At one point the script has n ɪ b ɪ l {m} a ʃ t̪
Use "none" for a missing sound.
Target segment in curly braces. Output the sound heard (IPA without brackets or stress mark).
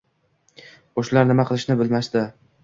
m